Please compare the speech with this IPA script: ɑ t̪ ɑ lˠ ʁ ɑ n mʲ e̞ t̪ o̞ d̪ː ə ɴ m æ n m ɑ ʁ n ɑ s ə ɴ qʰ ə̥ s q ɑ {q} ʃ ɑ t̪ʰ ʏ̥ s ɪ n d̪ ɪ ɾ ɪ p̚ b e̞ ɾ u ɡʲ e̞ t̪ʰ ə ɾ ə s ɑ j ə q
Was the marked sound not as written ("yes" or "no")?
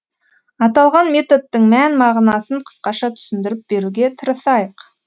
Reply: yes